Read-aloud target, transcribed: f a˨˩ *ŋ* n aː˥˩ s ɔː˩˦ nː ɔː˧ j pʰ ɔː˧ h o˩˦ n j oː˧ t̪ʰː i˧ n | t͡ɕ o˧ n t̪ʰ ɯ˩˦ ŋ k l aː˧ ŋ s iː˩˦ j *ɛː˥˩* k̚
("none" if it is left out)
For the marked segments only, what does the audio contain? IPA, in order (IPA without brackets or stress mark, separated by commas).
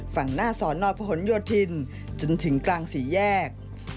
ŋ, ɛː˥˩